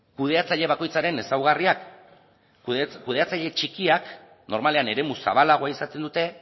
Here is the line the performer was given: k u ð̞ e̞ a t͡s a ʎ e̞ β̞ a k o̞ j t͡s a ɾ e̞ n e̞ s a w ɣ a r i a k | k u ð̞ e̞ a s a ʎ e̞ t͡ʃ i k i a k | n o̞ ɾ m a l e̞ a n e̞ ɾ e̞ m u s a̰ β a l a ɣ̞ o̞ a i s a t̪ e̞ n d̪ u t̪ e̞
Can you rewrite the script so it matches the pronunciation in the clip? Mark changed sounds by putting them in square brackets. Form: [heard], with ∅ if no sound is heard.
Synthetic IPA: k u ð̞ e̞ a t͡s a ʎ e̞ β̞ a k o̞ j t͡s a ɾ e̞ n e̞ s a w ɣ a r i a k | k u ð̞ e̞ a [t͡s] a ʎ e̞ t͡ʃ i k i a k | n o̞ ɾ m a l e̞ a n e̞ ɾ e̞ m u s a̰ β a l a ɣ̞ o̞ a i s a t̪ e̞ n d̪ u t̪ e̞